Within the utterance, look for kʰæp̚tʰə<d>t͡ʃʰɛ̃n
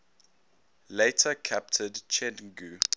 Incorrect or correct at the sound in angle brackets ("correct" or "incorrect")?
correct